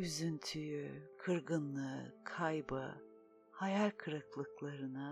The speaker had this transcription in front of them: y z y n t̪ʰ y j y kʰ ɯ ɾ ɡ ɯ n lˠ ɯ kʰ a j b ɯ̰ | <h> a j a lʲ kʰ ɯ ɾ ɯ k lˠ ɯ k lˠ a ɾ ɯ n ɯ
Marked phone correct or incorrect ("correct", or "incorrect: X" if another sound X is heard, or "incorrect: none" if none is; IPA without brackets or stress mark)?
correct